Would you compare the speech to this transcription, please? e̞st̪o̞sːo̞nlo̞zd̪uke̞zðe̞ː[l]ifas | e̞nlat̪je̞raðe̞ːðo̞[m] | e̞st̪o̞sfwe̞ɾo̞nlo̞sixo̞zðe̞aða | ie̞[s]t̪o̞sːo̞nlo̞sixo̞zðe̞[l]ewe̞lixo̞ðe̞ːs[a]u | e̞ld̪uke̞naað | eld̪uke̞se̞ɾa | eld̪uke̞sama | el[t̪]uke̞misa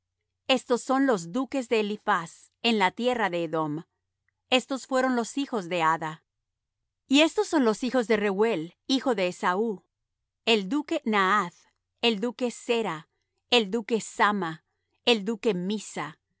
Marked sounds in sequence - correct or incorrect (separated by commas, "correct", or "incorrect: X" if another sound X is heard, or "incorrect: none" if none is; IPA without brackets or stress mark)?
correct, correct, correct, incorrect: r, correct, incorrect: d̪